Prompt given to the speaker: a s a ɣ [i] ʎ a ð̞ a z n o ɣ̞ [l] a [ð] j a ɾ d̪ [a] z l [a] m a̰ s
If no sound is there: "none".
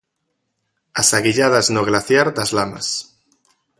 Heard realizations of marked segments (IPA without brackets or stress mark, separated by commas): i, l, θ, a, a